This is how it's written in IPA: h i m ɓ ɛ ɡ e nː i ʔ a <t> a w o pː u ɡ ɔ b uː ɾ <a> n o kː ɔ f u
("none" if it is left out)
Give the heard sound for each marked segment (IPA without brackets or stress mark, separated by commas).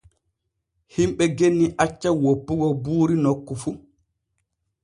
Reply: t͡ʃː, i